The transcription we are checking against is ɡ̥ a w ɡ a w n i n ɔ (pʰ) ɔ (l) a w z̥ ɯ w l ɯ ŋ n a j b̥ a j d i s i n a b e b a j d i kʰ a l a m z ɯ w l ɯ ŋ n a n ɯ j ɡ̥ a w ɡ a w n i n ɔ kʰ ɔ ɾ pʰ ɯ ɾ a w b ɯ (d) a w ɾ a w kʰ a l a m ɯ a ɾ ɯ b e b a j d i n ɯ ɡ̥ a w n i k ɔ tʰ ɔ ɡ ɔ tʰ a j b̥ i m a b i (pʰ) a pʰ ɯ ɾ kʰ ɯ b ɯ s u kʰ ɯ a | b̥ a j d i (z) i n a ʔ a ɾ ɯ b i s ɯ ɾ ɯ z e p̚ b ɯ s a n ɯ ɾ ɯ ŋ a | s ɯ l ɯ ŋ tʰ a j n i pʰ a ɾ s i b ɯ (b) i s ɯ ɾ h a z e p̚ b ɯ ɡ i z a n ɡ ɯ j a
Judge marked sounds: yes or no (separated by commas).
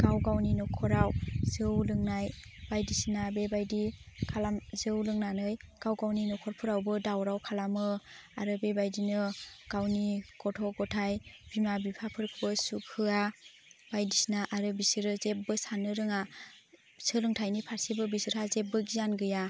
no, no, yes, yes, no, yes